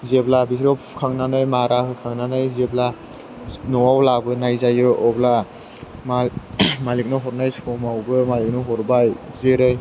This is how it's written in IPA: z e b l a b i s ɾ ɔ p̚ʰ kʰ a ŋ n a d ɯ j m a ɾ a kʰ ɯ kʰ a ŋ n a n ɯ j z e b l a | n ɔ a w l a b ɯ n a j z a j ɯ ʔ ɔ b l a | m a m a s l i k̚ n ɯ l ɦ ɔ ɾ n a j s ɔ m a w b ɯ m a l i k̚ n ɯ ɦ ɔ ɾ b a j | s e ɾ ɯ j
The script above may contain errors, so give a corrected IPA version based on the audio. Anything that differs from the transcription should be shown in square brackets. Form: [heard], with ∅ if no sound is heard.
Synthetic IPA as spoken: z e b l a b i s ɾ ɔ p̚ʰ kʰ a ŋ n a [n] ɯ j m a ɾ a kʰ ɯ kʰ a ŋ n a n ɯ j z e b l a | n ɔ a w l a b ɯ n a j z a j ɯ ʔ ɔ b l a | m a m a [∅] l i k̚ n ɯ [∅] ɦ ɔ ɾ n a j s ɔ m a w b ɯ m a l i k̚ n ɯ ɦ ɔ ɾ b a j | [z] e ɾ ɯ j